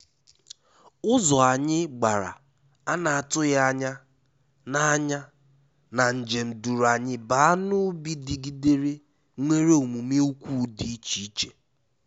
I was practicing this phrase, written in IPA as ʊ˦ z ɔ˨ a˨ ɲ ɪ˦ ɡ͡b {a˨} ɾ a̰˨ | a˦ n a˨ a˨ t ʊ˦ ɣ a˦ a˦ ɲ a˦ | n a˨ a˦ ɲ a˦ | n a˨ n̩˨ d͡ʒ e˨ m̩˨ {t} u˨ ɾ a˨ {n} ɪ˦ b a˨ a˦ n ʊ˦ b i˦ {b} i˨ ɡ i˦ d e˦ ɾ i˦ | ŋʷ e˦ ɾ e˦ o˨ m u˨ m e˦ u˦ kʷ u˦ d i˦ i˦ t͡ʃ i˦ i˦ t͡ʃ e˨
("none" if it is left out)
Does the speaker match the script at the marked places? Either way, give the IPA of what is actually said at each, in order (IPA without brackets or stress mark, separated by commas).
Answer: a˨, d, ɲ, d